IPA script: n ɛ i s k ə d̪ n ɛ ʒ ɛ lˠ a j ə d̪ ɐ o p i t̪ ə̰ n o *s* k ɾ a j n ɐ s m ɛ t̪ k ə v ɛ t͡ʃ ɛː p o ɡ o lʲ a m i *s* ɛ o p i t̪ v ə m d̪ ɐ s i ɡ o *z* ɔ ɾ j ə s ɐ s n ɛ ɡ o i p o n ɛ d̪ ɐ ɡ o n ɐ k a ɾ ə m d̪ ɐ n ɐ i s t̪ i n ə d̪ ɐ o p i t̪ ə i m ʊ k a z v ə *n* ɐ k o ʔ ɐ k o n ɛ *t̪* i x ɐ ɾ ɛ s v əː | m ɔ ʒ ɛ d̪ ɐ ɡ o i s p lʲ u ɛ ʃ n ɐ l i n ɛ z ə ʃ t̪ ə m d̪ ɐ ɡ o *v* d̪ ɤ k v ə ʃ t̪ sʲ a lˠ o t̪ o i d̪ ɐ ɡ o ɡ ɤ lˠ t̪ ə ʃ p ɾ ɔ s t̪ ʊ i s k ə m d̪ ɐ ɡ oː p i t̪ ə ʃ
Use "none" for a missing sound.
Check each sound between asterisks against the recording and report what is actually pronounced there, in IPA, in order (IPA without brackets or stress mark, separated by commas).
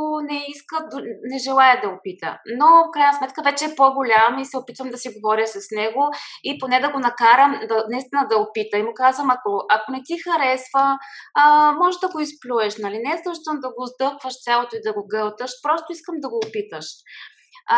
f, s, v, m, t̪, z